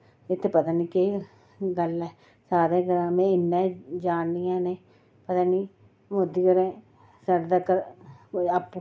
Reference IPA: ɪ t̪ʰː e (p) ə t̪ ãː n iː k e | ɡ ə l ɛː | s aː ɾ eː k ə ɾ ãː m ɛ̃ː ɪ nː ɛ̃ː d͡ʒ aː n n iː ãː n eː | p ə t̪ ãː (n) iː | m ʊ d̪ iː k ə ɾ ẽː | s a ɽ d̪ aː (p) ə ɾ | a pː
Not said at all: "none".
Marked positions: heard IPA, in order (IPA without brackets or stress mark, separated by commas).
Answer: p, n, k